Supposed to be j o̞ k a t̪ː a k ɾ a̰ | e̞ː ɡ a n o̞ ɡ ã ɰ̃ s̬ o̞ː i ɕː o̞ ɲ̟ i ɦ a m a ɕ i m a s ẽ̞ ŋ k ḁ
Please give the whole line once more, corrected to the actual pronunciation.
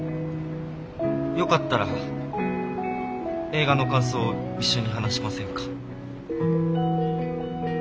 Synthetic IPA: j o̞ k a t̪ː a ɾ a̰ | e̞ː ɡ a n o̞ k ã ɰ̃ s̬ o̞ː i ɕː o̞ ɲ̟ i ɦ a n a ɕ i m a s ẽ̞ ŋ k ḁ